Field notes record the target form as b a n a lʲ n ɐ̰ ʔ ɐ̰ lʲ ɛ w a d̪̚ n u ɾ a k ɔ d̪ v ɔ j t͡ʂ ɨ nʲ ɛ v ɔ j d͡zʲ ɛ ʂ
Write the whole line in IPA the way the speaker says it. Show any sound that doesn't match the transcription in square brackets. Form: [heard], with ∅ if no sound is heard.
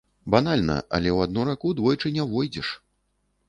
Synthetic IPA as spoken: b a n a lʲ n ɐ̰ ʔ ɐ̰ lʲ ɛ w a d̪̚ n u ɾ a k [u] d̪ v ɔ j t͡ʂ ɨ nʲ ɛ v ɔ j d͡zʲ ɛ ʂ